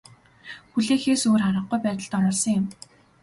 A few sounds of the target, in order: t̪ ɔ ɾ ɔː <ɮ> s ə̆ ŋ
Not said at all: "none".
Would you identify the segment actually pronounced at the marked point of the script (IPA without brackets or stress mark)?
ɮ